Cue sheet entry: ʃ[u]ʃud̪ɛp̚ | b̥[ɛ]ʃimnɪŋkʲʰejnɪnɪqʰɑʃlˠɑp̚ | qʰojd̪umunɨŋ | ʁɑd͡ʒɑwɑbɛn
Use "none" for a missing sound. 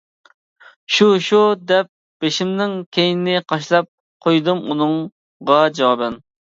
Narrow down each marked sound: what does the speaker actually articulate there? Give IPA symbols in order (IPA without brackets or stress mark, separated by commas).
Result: u, e